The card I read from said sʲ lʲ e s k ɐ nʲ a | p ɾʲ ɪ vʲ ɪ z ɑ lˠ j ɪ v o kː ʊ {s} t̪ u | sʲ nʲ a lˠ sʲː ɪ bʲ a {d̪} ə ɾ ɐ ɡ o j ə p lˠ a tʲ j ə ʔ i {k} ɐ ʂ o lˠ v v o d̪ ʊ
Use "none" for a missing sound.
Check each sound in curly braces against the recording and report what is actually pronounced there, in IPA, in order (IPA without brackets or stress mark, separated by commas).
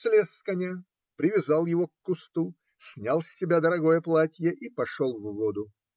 s, d̪, p